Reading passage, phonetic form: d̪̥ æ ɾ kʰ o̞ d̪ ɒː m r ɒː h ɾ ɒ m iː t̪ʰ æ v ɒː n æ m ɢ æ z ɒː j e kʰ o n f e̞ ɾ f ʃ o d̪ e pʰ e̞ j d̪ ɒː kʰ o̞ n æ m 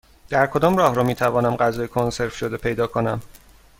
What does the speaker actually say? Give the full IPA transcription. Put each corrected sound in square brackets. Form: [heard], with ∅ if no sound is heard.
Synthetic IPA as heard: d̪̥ æ ɾ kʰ o̞ d̪ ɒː m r ɒː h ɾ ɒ m iː t̪ʰ æ v ɒː n æ m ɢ æ z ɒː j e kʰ o n [s] e̞ ɾ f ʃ o d̪ e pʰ e̞ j d̪ ɒː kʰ o̞ n æ m